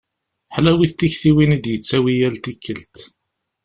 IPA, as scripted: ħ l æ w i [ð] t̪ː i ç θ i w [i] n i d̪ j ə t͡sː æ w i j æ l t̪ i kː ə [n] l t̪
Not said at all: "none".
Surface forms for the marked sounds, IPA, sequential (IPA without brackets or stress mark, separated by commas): θ, i, none